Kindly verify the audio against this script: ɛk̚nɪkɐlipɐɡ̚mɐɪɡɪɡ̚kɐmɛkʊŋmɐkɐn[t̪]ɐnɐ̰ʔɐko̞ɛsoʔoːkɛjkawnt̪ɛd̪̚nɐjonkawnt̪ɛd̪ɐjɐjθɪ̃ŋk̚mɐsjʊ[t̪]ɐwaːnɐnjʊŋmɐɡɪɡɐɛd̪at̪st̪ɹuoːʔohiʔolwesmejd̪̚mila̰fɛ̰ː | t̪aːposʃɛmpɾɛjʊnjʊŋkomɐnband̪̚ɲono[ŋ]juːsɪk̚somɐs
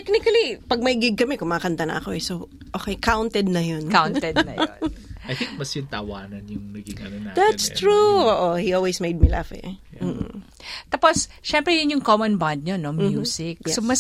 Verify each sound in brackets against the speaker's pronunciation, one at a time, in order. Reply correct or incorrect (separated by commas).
correct, correct, incorrect